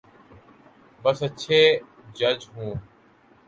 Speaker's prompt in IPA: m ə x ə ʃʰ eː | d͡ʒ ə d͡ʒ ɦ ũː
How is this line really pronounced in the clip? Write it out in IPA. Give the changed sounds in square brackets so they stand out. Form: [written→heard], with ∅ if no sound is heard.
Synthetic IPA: [m→b] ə [x→s] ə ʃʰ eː | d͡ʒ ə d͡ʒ ɦ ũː